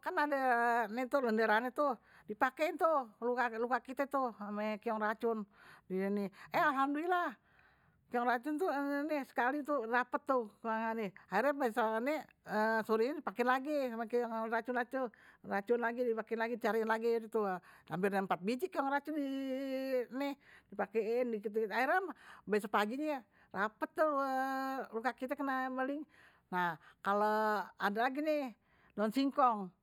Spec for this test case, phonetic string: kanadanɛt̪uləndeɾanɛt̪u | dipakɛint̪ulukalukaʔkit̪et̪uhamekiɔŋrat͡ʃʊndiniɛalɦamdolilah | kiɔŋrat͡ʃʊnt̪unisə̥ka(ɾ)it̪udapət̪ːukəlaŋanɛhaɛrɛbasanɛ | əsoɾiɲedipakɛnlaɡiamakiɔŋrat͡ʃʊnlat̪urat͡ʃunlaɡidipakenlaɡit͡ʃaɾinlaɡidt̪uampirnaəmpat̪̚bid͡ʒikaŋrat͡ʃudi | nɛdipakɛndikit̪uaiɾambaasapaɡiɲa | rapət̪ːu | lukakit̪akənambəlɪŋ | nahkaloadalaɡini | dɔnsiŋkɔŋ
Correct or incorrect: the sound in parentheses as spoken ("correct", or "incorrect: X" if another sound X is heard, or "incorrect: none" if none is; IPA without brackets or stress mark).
incorrect: l